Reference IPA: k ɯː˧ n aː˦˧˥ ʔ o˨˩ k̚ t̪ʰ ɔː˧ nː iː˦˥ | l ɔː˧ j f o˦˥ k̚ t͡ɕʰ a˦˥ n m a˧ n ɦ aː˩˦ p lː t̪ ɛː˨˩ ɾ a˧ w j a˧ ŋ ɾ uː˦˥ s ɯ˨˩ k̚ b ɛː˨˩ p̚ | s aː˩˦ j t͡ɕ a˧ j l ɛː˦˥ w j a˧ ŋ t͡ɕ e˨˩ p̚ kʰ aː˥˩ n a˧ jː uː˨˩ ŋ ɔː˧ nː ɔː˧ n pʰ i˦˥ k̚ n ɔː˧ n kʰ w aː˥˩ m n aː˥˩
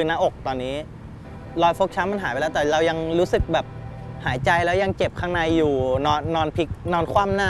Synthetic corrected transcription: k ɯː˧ n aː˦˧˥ ʔ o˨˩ k̚ t̪ ɔː˧ nː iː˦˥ | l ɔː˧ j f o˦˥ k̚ t͡ɕʰ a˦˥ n m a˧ n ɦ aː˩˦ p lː t̪ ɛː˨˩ ɾ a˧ w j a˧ ŋ ɾ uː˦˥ s ɯ˨˩ k̚ b ɛː˨˩ p̚ | h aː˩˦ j t͡ɕ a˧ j l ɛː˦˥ w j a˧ ŋ t͡ɕ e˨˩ p̚ kʰ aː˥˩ n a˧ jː uː˨˩ n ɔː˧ nː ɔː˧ n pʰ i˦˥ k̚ n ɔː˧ n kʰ w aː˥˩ m n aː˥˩

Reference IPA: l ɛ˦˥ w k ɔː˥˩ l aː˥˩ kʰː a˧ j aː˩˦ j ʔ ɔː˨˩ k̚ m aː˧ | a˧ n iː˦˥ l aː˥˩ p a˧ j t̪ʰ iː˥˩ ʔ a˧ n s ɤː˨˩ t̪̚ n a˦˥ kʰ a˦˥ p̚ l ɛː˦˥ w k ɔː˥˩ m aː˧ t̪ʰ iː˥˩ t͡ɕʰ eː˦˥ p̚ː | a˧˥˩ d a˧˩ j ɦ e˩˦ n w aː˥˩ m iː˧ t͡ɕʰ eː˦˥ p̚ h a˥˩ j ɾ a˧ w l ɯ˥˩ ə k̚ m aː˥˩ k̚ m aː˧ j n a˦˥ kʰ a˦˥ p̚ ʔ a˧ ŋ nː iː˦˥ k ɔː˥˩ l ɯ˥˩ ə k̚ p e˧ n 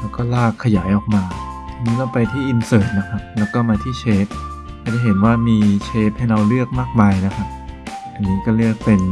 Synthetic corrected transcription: l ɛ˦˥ w k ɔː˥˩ l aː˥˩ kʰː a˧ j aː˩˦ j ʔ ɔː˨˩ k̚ m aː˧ | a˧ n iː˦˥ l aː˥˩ p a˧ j t̪ʰ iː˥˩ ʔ i˧ n s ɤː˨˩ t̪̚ n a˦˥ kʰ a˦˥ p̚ l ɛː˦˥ w k ɔː˥˩ m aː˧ t̪ʰ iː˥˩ t͡ɕʰ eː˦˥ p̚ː | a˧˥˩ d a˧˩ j ɦ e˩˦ n w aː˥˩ m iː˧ t͡ɕʰ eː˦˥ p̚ h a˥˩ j ɾ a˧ w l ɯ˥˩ ə k̚ m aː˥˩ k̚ m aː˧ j n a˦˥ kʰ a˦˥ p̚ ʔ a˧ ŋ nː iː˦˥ k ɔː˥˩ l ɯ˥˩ ə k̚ p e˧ n

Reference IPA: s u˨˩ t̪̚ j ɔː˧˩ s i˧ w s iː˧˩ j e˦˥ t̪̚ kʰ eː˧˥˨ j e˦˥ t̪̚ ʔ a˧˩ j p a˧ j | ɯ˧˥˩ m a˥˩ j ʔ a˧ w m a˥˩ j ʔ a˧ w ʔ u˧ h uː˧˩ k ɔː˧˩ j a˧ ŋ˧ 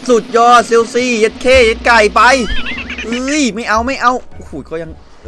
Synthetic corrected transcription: s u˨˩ t̪̚ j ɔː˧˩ s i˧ w s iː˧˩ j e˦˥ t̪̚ kʰ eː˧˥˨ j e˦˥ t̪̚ k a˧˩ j p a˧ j | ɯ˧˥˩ m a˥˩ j ʔ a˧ w m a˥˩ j ʔ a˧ w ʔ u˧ h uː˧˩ k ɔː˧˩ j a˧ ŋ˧

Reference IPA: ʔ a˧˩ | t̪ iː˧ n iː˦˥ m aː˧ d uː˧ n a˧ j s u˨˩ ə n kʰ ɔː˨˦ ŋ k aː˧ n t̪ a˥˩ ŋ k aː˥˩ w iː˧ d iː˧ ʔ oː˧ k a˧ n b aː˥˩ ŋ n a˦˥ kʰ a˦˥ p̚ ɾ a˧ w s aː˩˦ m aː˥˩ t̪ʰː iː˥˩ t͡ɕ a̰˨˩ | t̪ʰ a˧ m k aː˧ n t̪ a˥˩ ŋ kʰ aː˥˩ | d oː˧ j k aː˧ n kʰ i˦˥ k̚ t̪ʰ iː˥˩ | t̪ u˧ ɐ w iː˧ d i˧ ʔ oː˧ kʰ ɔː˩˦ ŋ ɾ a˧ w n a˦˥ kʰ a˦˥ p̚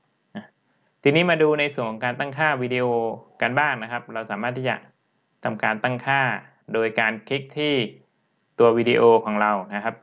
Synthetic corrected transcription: ʔ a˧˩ | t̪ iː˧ n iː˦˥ m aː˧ d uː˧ n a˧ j s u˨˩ ə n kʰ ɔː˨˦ ŋ k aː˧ n t̪ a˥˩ ŋ kʰ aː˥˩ w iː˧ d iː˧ ʔ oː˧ k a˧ n b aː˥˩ ŋ n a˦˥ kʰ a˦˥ p̚ ɾ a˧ w s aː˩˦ m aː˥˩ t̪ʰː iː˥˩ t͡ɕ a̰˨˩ | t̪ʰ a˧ m k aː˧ n t̪ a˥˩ ŋ kʰ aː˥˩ | d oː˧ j k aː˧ n kʰ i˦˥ k̚ t̪ʰ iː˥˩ | t̪ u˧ ɐ w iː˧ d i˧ ʔ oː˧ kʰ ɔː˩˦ ŋ ɾ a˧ w n a˦˥ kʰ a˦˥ p̚

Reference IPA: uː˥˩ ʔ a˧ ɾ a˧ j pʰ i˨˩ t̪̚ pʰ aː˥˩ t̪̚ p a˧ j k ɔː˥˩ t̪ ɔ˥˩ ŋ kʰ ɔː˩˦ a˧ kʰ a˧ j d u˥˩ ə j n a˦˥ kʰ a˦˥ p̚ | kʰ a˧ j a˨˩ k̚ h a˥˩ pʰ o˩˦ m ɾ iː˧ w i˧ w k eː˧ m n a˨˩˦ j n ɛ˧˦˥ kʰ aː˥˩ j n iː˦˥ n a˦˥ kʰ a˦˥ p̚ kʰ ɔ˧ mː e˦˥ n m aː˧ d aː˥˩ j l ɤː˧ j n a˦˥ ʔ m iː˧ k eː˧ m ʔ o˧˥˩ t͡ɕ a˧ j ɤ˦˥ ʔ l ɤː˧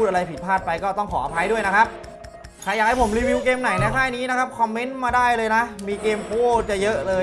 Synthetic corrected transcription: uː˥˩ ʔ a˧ ɾ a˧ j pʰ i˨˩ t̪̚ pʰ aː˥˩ t̪̚ p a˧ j k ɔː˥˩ t̪ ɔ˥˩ ŋ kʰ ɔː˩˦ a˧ pʰ a˧ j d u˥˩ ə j n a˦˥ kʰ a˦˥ p̚ | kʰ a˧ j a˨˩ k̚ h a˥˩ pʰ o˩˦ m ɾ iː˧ w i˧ w k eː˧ m n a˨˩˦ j n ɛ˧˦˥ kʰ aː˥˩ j n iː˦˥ n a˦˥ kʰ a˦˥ p̚ kʰ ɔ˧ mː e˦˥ n m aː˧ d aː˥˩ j l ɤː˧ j n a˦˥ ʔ m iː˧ k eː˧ m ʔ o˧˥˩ t͡ɕ a˨˩ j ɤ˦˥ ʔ l ɤː˧

